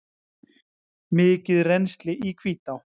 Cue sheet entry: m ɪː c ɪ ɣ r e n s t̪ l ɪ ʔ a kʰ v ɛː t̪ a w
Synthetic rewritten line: m ɪː c ɪ ð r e n s t̪ l ɪ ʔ i kʰ v iː t̪ a w